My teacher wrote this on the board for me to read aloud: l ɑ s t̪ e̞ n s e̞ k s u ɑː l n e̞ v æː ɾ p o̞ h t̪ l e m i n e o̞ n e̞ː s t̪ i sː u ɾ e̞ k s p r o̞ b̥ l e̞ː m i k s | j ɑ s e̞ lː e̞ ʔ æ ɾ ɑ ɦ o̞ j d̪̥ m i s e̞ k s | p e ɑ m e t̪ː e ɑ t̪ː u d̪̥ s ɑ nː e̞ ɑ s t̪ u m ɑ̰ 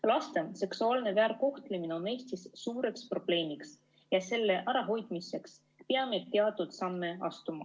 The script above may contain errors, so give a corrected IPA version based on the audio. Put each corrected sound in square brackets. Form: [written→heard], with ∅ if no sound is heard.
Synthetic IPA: l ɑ s t̪ e̞ n s e̞ k s u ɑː l n e̞ v æː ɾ [p→k] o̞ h t̪ l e m i n e o̞ n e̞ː s t̪ i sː [u→uː] ɾ e̞ k s p r o̞ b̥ l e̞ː m i k s | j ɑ s e̞ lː e̞ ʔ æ ɾ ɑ ɦ o̞ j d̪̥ m i s e̞ k s | p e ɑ m e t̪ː e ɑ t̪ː u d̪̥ s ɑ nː e̞ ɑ s t̪ u m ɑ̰